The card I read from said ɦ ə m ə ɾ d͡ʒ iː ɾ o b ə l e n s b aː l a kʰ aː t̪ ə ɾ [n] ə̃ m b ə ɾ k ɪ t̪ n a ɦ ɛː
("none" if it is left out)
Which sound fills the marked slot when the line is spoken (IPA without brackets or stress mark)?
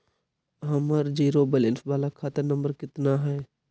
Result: n